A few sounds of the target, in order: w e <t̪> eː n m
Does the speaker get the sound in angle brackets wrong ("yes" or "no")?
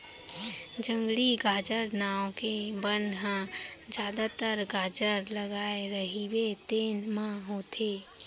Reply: no